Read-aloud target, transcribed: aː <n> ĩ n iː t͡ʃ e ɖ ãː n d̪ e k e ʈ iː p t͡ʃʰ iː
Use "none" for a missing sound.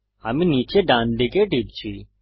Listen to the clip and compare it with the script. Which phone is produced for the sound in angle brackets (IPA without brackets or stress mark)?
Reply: m